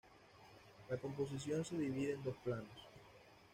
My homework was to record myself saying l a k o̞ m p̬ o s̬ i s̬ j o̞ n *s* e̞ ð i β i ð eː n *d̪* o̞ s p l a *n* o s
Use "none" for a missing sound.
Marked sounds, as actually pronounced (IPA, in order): s, d̪, n

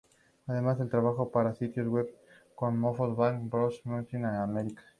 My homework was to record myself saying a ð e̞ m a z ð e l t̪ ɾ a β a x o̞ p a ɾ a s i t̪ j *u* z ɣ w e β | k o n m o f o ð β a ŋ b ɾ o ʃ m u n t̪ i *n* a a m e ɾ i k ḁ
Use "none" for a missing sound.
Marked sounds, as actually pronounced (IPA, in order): o, n

